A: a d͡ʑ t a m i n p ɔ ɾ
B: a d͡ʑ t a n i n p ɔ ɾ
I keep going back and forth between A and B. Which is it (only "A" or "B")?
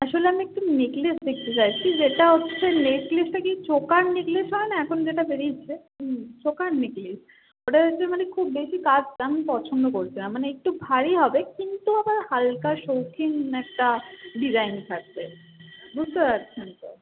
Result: A